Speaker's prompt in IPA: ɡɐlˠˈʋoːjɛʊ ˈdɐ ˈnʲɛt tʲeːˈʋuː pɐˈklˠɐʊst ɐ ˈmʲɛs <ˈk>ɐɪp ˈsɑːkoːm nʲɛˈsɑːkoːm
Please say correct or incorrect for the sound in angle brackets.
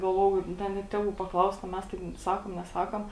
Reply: incorrect: t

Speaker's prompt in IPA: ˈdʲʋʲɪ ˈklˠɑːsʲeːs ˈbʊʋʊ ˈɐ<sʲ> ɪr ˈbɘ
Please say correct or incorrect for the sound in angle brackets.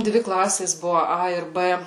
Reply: incorrect: none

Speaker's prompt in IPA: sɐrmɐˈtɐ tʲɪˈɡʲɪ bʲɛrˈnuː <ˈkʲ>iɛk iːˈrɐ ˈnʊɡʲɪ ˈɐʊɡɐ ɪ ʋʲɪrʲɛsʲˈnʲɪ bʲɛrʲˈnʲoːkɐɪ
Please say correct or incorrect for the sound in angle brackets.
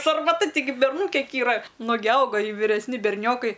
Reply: correct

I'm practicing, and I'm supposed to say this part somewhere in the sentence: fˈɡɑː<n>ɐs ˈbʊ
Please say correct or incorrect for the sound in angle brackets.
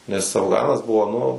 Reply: correct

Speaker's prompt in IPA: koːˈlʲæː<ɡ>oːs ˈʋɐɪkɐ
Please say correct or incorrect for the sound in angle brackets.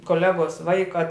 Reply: correct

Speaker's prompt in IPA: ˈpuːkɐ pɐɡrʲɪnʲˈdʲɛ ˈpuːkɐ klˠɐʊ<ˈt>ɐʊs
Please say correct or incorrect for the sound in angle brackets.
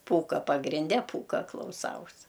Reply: incorrect: s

